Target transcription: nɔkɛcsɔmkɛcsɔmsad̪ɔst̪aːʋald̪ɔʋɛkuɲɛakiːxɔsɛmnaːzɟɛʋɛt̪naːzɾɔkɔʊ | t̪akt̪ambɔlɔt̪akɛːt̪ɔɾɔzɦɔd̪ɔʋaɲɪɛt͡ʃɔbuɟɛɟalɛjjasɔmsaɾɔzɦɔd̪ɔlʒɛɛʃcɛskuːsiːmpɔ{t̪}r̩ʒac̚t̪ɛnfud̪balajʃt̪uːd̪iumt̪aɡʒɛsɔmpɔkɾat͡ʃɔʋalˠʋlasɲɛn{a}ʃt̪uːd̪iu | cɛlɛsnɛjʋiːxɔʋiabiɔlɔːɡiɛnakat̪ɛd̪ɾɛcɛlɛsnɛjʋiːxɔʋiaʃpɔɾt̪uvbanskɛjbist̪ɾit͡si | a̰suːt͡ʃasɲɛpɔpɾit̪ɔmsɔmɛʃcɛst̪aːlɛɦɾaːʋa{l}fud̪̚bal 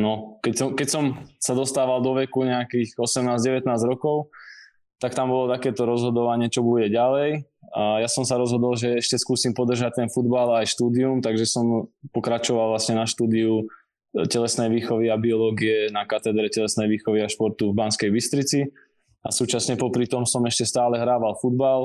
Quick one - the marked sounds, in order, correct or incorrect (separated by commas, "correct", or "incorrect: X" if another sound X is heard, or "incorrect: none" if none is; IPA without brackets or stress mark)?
incorrect: d̪, correct, correct